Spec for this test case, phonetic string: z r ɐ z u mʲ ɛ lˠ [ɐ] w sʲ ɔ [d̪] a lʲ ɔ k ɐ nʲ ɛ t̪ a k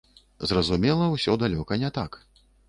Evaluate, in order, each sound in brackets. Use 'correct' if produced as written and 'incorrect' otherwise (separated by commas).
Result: correct, correct